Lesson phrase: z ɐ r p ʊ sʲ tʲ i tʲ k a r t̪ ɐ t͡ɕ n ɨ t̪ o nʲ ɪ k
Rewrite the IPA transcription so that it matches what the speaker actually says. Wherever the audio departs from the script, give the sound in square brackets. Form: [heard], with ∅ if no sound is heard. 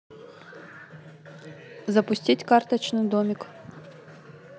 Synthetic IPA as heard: z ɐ [∅] p ʊ sʲ tʲ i tʲ k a r t̪ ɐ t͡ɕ n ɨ [d̪] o [mʲ] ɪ k